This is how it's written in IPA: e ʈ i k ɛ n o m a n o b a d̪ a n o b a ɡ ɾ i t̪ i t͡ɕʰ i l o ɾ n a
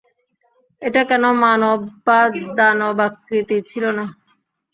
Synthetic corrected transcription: e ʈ a k ɛ n o m a n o b a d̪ a n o b a k ɾ i t̪ i t͡ɕʰ i l o n a